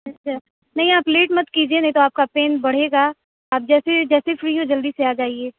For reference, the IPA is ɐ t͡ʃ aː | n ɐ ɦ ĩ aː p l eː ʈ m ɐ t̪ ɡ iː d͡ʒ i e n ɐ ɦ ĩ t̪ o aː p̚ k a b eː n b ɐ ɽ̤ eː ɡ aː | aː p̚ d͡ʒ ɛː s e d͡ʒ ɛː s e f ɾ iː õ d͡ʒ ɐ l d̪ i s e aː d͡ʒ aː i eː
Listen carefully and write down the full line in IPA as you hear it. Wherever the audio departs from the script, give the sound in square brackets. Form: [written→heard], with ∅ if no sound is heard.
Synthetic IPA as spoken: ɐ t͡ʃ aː | n ɐ ɦ ĩ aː p l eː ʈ m ɐ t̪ [ɡ→k] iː d͡ʒ i e n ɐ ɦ ĩ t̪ o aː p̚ k a [b→p] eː n b ɐ ɽ̤ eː ɡ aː | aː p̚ d͡ʒ ɛː s e d͡ʒ ɛː s e f ɾ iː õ d͡ʒ ɐ l d̪ i s e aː d͡ʒ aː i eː